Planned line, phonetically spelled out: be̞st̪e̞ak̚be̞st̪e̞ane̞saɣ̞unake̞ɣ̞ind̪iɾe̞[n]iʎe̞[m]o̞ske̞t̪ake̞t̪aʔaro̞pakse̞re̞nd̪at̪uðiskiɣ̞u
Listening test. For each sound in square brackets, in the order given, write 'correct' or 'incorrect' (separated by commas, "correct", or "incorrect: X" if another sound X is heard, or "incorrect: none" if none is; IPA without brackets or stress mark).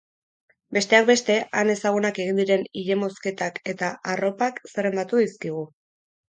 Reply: correct, correct